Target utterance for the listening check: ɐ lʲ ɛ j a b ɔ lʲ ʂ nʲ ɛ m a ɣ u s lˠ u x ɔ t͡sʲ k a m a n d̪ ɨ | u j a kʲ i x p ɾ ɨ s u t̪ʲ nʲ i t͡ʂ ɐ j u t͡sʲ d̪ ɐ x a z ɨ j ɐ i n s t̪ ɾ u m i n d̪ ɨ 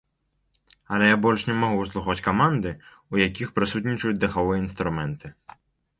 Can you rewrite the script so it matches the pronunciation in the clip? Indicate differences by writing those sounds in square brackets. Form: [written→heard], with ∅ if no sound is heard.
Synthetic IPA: ɐ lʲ ɛ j a b ɔ lʲ ʂ nʲ ɛ m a ɣ u s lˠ u x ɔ t͡sʲ k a m a n d̪ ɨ | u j a kʲ i x p ɾ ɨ s u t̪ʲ nʲ i t͡ʂ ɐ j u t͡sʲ d̪ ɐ x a [z→v] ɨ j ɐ i n s t̪ ɾ u m [i→ɛ] n [d̪→t̪] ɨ